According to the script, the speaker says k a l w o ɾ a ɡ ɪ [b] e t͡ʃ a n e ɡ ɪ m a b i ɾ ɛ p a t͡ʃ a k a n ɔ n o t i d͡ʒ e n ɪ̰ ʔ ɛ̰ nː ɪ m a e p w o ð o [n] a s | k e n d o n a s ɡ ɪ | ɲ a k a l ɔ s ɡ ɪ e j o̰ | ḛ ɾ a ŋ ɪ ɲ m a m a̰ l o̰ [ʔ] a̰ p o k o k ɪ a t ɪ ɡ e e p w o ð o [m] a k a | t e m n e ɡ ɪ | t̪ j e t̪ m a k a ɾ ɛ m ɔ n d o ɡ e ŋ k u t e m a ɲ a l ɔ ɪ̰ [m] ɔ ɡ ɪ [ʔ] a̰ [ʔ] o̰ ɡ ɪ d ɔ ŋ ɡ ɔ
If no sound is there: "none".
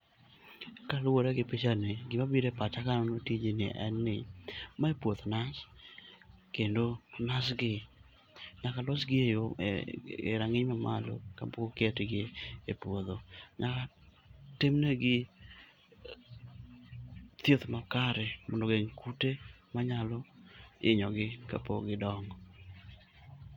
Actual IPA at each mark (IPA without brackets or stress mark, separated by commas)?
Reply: p, n, k, ɲ, ɲ, k, p